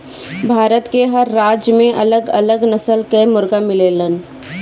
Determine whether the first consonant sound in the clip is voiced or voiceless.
voiced